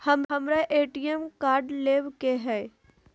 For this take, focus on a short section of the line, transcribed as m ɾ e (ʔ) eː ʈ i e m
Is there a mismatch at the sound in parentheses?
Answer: no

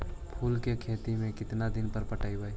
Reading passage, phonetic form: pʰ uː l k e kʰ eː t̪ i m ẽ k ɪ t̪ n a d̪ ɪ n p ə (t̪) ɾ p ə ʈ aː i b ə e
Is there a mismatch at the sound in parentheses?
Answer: yes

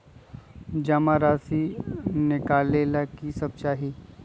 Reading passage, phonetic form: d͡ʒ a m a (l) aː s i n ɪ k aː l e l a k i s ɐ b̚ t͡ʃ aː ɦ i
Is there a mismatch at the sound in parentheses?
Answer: yes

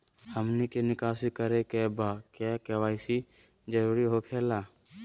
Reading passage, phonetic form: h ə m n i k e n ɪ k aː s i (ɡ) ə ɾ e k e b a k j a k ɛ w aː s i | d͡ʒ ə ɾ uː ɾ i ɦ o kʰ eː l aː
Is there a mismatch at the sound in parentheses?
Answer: yes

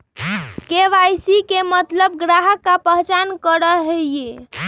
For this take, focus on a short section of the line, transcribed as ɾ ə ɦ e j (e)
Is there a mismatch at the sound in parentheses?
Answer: no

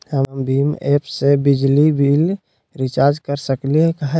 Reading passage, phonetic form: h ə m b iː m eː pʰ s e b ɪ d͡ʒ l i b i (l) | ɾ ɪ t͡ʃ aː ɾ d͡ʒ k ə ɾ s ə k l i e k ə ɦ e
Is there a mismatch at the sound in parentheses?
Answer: no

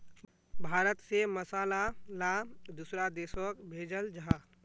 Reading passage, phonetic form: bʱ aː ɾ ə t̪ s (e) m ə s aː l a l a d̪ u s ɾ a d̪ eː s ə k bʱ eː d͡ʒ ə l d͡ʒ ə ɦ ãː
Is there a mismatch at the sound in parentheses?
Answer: no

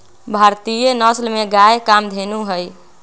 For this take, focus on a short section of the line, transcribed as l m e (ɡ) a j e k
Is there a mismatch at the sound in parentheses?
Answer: no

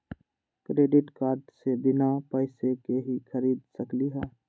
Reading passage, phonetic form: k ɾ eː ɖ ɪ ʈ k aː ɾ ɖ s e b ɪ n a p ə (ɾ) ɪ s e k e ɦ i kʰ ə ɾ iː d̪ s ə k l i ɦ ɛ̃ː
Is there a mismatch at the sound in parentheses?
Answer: yes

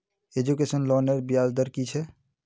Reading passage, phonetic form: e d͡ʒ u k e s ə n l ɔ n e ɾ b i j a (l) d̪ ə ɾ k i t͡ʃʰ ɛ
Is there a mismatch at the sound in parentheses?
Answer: no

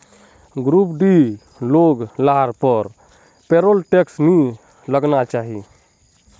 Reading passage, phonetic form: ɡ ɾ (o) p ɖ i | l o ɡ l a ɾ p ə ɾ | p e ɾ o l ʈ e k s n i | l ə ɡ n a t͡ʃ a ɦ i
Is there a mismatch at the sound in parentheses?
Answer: yes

